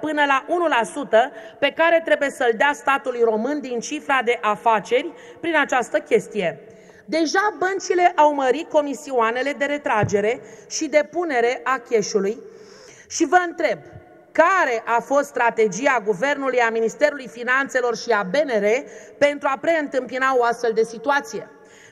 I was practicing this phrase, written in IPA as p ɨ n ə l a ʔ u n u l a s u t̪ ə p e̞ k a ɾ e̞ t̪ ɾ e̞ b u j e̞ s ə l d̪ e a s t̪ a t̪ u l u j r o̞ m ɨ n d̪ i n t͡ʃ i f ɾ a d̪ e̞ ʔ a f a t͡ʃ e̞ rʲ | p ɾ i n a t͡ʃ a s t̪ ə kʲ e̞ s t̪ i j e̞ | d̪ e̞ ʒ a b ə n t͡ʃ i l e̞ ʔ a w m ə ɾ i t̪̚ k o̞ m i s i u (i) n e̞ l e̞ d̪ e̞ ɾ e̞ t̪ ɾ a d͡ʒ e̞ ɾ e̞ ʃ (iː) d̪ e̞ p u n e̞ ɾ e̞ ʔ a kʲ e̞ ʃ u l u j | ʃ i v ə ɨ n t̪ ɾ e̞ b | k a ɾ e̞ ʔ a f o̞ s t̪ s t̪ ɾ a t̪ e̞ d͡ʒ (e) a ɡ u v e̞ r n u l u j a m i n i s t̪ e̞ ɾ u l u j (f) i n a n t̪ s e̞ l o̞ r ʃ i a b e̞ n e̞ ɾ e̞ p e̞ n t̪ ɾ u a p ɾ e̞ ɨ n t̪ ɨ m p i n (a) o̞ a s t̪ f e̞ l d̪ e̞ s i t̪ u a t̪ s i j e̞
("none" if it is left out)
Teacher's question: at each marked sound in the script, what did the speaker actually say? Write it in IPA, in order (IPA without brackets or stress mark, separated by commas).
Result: a, i, i, f, a